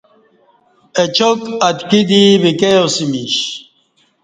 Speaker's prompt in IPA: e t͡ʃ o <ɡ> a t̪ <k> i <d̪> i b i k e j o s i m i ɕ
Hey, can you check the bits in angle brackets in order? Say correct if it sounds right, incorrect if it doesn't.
incorrect: k, correct, correct

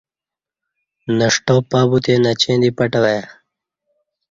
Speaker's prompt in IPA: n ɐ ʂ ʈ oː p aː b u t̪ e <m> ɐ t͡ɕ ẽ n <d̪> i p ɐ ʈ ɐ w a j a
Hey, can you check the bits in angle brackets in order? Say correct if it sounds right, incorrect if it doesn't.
incorrect: n, correct

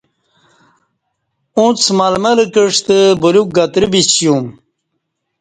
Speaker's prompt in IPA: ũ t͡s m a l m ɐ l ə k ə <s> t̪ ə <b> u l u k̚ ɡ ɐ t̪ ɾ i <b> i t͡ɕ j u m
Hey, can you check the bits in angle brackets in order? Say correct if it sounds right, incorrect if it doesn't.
incorrect: ʂ, correct, correct

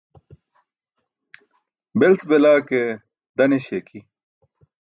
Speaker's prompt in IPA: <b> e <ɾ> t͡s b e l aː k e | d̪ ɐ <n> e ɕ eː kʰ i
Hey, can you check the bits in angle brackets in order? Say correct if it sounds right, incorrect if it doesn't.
correct, incorrect: l, correct

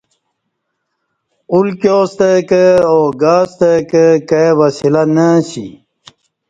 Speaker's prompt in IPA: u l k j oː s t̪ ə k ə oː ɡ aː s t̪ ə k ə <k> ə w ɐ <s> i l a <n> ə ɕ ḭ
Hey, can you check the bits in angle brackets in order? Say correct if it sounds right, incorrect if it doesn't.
correct, correct, correct

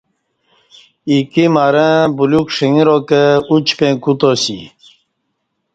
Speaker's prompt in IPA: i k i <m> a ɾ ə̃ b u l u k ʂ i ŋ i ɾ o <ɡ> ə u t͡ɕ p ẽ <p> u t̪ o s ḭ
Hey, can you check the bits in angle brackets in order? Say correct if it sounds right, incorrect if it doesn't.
correct, incorrect: k, incorrect: k

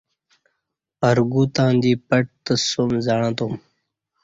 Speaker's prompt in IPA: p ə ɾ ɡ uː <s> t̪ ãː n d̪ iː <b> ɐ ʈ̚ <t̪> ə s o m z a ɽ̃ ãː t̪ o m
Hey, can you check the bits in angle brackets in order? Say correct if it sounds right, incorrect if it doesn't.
incorrect: none, incorrect: p, correct

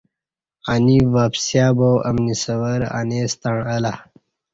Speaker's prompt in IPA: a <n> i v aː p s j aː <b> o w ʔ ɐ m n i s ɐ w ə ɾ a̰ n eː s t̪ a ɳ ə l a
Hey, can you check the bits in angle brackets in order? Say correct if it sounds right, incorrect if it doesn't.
correct, correct

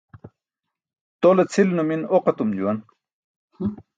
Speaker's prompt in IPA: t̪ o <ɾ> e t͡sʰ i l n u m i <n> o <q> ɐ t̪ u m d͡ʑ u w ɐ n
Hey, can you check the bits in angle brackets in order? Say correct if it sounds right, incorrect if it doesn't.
incorrect: l, correct, correct

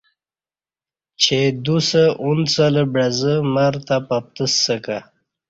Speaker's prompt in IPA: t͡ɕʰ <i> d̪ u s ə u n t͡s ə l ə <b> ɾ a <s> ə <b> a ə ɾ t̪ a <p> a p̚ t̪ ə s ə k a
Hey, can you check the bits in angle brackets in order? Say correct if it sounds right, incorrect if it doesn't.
incorrect: e, correct, incorrect: z, incorrect: m, correct

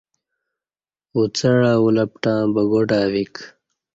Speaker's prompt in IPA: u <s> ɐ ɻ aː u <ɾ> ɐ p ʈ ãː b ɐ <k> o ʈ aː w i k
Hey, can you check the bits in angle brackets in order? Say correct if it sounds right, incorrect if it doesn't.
incorrect: t͡s, incorrect: l, incorrect: ɡ

